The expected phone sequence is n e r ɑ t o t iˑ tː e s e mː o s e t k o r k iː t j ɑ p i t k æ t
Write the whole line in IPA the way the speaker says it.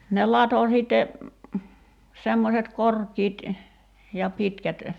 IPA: n e l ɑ t o s iˑ tː e s e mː o s e t k o r k iː t j ɑ p i t k æ t